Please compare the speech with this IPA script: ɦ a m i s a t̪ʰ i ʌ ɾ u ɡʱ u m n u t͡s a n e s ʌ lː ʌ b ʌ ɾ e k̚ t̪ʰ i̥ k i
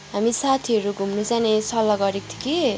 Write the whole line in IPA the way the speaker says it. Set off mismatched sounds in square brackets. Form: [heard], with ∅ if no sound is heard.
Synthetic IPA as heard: ɦ a m i s a t̪ʰ i ʌ ɾ u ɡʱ u m n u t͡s a n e s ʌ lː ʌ [ɡ] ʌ ɾ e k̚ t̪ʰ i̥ k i